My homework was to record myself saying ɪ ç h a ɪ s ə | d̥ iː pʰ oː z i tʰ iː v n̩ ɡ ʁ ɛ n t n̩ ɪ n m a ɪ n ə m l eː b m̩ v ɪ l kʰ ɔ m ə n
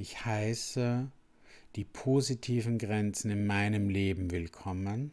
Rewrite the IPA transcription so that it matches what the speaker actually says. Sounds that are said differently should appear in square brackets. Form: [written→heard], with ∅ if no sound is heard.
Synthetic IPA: ɪ ç h a ɪ s ə | d̥ iː pʰ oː z i tʰ iː v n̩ ɡ ʁ ɛ n [t→t͡s] n̩ ɪ n m a ɪ n ə m l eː b m̩ v ɪ l kʰ ɔ m ə n

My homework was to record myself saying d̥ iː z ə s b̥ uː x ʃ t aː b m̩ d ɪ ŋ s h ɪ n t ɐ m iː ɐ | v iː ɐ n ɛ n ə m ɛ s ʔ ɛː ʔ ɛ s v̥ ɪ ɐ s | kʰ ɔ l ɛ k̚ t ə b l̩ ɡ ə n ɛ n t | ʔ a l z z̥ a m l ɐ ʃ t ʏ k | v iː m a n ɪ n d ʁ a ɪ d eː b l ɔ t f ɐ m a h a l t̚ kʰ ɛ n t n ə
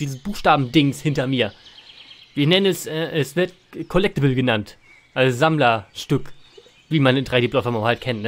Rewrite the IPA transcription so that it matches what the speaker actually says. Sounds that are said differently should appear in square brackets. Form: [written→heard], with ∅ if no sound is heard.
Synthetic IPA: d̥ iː z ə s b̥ uː x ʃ t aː b m̩ d ɪ ŋ s h ɪ n t ɐ m iː ɐ | v iː ɐ n ɛ n ə [m→n] ɛ s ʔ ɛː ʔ ɛ s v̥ ɪ ɐ [s→t] | kʰ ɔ l ɛ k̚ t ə b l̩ ɡ ə n [ɛ→a] n t | ʔ a l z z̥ a m l ɐ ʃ t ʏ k | v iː m a n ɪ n d ʁ a ɪ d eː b l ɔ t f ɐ m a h a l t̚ kʰ ɛ n t n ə

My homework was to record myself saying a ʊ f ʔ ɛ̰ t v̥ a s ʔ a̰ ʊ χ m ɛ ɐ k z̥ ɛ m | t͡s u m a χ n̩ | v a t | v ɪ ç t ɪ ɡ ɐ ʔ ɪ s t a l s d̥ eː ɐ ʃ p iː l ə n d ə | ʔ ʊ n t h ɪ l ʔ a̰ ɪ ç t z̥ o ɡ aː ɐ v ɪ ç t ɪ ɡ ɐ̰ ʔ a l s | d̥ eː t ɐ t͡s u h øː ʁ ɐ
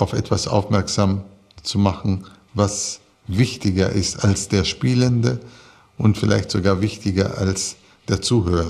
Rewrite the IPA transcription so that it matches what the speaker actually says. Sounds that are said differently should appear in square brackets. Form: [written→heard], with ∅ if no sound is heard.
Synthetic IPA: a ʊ f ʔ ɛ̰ t v̥ a s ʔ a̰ ʊ [χ→f] m ɛ ɐ k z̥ [ɛ→a] m | t͡s u m a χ n̩ | v a [t→s] | v ɪ ç t ɪ ɡ ɐ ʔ ɪ s t a l s d̥ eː ɐ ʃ p iː l ə n d ə | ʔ ʊ n t [h→f] ɪ l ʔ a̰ ɪ ç t z̥ o ɡ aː ɐ v ɪ ç t ɪ ɡ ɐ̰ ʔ a l s | d̥ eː [t→∅] ɐ t͡s [u→uː] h øː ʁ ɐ

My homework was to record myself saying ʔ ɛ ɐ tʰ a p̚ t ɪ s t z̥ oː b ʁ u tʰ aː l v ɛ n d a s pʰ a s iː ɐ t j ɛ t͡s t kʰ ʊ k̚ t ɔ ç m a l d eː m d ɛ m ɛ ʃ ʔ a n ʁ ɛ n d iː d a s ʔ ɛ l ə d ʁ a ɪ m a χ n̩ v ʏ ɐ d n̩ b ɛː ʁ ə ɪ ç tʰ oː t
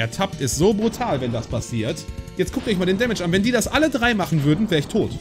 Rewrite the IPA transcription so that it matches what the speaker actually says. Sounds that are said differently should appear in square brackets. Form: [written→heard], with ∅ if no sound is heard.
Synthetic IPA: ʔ ɛ ɐ tʰ a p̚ t ɪ s t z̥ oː b ʁ u tʰ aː l v ɛ n d a s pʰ a s iː ɐ t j ɛ t͡s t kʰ ʊ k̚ t ɔ ç m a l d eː [m→n] d ɛ m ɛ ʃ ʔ a n [ʁ→v] ɛ n d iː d a s ʔ [ɛ→a] l ə d ʁ a ɪ m a χ n̩ v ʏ ɐ d n̩ [b→v] ɛː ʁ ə ɪ ç tʰ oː t

